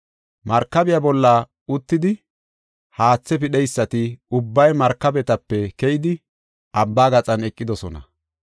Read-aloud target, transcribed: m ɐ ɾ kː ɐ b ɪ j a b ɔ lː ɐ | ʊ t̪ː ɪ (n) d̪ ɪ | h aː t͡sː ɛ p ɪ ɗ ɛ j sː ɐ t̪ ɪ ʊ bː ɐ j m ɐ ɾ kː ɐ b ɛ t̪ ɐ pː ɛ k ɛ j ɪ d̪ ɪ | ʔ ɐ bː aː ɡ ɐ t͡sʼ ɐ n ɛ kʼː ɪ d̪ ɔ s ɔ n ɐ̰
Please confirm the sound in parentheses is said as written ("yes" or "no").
no